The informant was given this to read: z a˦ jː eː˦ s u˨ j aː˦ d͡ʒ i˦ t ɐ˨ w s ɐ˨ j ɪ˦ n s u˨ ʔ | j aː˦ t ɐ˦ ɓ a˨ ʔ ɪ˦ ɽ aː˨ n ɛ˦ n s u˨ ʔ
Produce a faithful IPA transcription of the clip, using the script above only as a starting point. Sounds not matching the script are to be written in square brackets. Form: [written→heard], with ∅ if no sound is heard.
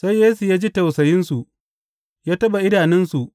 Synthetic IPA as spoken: [z→s] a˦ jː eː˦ s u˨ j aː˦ d͡ʒ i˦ t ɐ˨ w s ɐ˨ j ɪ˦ n s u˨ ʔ | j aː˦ t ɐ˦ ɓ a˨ ʔ ɪ˦ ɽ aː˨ n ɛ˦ n s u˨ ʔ